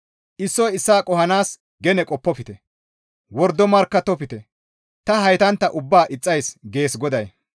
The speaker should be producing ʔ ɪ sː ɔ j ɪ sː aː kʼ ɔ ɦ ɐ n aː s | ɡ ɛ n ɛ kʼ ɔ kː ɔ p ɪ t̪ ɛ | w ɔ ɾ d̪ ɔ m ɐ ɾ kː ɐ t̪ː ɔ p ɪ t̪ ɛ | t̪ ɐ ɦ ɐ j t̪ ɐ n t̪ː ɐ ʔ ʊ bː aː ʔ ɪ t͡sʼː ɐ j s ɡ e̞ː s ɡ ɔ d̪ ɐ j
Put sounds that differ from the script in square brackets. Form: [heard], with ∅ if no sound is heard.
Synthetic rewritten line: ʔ ɪ sː ɔ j ɪ sː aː kʼ ɔ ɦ ɐ n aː s | ɡ ɛ n ɛ kʼ ɔ [pː] ɔ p ɪ t̪ ɛ | w ɔ ɾ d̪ ɔ m ɐ ɾ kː ɐ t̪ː ɔ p ɪ t̪ ɛ | t̪ ɐ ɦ ɐ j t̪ ɐ n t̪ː ɐ ʔ ʊ bː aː ʔ ɪ t͡sʼː ɐ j s ɡ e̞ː s ɡ ɔ d̪ ɐ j